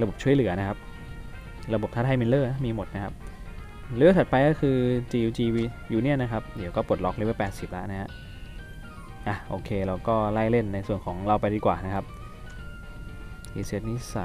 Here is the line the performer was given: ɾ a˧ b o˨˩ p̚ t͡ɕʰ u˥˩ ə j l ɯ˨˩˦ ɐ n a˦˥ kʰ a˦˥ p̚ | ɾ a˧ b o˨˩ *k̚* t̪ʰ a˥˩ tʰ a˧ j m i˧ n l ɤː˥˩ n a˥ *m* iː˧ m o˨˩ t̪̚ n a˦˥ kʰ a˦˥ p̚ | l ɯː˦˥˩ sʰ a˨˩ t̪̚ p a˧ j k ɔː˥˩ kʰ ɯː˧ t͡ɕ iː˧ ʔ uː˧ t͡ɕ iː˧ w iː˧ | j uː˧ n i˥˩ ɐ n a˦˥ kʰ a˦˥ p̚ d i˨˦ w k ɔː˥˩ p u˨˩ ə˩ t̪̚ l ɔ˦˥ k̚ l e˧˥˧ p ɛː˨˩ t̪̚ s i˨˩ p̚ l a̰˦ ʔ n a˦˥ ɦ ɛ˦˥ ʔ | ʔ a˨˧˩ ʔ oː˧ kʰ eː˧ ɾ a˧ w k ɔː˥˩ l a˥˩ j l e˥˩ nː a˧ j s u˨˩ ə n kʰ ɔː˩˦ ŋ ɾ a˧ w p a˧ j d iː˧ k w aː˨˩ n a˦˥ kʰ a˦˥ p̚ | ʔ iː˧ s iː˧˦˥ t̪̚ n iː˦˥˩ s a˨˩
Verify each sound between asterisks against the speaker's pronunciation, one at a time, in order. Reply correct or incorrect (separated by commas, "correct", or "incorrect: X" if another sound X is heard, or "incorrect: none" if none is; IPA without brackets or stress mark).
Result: incorrect: p̚, correct